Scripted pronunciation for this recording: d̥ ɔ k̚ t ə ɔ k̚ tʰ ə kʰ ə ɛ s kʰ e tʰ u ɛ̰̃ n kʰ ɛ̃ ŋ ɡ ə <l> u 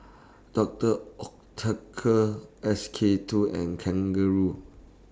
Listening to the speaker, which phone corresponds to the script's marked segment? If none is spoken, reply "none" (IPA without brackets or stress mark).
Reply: ɹ